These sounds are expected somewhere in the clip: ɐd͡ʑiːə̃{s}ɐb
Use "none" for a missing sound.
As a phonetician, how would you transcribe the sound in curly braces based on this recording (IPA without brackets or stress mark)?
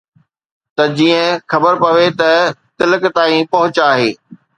x